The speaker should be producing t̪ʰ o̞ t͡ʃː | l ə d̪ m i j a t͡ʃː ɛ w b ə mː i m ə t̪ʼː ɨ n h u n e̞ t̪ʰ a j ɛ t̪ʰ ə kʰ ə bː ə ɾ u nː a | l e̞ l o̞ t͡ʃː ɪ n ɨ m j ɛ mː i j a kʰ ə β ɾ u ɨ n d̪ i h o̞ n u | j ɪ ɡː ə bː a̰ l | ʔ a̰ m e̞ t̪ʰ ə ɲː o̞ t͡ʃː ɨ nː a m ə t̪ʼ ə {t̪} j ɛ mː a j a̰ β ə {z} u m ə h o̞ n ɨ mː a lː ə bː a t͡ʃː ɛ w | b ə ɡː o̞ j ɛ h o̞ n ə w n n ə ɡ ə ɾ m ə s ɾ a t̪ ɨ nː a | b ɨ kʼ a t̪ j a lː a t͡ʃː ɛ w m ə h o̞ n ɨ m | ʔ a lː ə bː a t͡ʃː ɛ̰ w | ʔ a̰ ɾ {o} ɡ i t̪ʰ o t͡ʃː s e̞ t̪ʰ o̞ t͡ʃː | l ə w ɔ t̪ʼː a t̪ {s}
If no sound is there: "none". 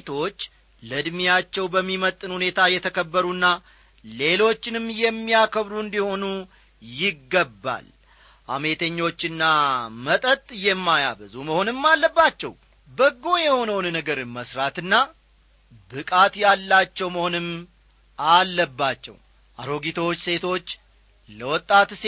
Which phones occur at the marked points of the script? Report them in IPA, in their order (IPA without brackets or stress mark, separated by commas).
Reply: t̪ʼ, z, o, s